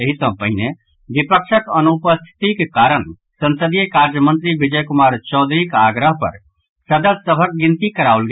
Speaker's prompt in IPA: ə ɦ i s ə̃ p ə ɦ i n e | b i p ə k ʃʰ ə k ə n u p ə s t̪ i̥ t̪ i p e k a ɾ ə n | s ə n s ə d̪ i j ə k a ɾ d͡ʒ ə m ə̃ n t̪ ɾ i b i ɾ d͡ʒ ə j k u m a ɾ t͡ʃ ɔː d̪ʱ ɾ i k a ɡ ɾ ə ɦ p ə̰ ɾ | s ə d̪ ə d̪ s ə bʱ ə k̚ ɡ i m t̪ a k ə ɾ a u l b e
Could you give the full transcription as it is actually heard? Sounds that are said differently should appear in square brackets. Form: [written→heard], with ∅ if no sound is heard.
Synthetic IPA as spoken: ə ɦ i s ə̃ p ə ɦ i n e | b i p ə k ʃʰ ə k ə n u p ə s [t̪→t̪ʰ] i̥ t̪ i [p→k] e k a ɾ ə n | s ə n s ə d̪ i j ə k a ɾ d͡ʒ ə m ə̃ n t̪ ɾ i b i [ɾ→∅] d͡ʒ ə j k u m a ɾ t͡ʃ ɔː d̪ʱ ɾ i k a ɡ ɾ ə ɦ p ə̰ ɾ | s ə d̪ ə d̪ s ə bʱ ə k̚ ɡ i [m→n] t̪ [a→i] k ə ɾ a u l [b→ɡ] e